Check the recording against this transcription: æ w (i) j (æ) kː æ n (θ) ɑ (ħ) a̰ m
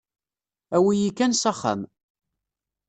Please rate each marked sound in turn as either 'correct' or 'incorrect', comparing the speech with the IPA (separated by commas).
correct, incorrect, incorrect, incorrect